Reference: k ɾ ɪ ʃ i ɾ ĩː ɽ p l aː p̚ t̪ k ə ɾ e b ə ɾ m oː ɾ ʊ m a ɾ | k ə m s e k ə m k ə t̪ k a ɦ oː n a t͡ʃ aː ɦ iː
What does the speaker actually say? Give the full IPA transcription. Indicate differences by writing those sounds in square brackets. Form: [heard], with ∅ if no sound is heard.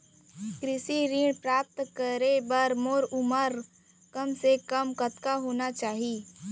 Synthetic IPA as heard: k ɾ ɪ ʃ i ɾ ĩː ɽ p [ɾ] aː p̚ t̪ k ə ɾ e b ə ɾ m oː ɾ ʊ m [ə] ɾ | k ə m s e k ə m k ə t̪ k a ɦ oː n a t͡ʃ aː ɦ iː